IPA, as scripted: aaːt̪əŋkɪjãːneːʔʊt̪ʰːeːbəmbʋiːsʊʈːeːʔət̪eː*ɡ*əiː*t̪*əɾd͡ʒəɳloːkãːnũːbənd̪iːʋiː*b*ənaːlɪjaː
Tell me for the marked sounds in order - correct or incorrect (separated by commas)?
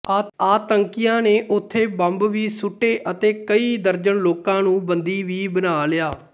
incorrect, incorrect, correct